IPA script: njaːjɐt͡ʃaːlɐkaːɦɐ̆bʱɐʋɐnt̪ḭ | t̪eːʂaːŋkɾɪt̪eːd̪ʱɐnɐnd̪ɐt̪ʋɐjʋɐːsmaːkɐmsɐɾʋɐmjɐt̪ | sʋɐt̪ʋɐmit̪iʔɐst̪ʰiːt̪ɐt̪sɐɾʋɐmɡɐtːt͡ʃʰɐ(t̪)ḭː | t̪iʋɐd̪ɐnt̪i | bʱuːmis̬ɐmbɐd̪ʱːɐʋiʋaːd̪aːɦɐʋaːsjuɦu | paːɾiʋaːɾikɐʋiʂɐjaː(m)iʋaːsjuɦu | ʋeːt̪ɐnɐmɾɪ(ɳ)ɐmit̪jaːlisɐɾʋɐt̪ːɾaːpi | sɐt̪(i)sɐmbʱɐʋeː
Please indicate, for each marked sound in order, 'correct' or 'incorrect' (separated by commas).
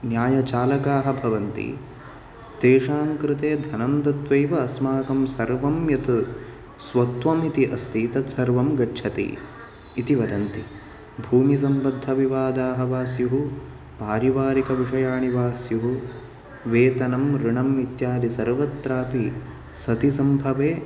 correct, incorrect, correct, correct